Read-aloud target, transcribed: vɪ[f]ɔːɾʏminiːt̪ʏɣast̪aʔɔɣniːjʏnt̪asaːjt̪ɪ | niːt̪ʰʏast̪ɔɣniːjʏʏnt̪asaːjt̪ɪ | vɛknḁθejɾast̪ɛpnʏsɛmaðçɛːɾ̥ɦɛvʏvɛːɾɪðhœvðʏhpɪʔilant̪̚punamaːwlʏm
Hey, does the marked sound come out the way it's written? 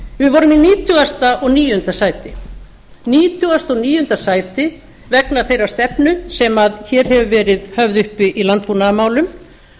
no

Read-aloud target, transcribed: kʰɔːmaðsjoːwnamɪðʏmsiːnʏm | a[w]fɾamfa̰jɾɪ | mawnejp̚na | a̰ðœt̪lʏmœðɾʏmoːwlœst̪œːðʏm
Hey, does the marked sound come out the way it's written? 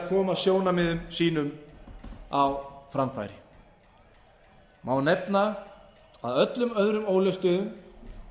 yes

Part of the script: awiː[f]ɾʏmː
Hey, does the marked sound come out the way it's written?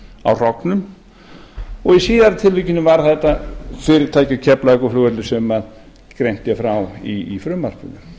yes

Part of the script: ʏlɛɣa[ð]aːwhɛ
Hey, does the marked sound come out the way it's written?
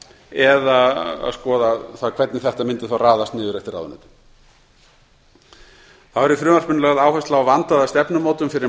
yes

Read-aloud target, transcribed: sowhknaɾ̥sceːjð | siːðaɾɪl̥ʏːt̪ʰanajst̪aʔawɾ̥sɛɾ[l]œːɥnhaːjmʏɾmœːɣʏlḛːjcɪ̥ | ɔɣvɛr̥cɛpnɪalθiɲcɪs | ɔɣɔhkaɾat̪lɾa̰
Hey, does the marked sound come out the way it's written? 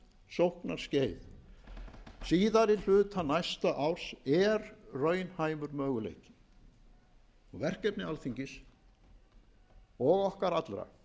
no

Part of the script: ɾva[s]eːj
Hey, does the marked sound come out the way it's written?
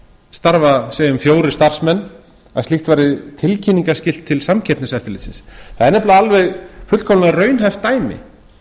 yes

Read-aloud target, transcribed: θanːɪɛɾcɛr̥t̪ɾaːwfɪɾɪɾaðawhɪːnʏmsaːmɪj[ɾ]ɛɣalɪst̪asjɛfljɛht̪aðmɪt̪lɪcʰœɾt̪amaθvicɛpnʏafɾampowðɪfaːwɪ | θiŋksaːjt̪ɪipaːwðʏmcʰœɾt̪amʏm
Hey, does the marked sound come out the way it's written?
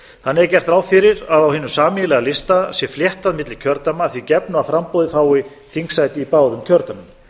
no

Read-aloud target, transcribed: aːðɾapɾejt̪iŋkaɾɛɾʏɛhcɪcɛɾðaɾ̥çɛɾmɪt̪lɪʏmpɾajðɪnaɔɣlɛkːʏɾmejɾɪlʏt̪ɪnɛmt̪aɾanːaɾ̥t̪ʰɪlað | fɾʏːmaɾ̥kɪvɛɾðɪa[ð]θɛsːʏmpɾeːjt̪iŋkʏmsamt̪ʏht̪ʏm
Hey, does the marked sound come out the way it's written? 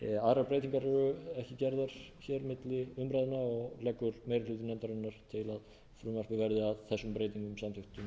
yes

